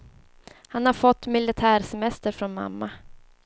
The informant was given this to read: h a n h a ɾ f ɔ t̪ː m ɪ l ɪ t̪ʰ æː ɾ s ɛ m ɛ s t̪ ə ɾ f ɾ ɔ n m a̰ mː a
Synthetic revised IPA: h a n h a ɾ f ɔ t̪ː m ɪ l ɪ t̪ʰ æː ɾ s ɛ m ɛ s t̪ ə ɾ f ɾ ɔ n m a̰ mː a